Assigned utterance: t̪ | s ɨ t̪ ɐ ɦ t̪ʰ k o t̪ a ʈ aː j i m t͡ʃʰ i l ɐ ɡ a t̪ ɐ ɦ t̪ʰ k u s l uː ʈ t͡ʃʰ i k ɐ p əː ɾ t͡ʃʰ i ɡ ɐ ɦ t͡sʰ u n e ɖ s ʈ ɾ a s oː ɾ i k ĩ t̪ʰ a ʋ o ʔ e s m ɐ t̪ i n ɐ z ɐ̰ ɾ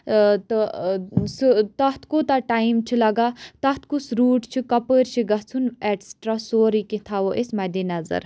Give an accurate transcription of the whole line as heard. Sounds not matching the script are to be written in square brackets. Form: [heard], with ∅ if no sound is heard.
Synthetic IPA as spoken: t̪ | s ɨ t̪ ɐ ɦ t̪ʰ k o t̪ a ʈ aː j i m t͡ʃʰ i l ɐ ɡ a t̪ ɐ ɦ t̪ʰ k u s [ɾ] uː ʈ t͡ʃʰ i k ɐ p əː ɾ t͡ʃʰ i ɡ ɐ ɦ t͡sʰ u n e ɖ s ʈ ɾ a s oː ɾ i k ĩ t̪ʰ a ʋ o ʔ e s m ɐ [d̪] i n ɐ z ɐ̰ ɾ